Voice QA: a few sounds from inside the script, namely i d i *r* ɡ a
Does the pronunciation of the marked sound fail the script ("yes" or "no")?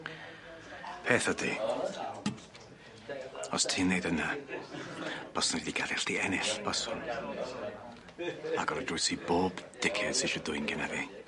yes